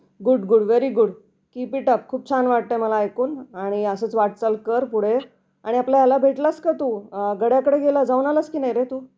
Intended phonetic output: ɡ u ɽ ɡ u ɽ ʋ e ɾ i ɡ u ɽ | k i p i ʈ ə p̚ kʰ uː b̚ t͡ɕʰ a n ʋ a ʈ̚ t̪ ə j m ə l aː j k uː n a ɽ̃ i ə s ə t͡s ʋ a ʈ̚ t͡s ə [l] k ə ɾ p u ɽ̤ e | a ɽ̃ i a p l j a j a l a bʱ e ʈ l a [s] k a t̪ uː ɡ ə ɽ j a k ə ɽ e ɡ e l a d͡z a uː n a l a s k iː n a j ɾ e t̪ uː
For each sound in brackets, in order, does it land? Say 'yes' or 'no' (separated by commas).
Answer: yes, yes